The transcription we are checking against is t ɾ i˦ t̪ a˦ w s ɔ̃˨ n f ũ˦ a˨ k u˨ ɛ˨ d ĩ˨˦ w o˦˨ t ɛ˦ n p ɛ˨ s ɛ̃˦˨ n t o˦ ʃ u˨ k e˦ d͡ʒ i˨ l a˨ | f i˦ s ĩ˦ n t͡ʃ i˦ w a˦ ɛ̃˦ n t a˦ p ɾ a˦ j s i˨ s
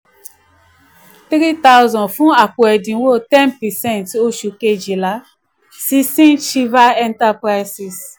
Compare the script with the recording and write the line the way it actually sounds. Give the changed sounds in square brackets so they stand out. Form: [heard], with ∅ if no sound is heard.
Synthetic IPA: t ɾ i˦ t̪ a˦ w [z] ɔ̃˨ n f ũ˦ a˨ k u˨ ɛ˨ d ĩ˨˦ w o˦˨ t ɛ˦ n p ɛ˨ s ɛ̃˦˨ n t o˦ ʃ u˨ k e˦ d͡ʒ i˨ l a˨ | [s] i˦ s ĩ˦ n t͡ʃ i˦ [v] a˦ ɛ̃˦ n t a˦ p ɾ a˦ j s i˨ s